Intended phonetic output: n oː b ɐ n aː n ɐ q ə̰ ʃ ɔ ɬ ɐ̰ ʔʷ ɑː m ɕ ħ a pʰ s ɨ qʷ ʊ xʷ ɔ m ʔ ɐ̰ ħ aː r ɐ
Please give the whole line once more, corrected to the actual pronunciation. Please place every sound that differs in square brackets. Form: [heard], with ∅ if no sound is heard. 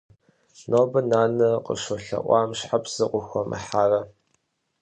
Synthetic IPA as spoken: n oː b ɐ n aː n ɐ q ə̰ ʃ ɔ ɬ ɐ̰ ʔʷ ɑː m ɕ ħ a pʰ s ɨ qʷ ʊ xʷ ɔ m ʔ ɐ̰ ħ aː r ɐ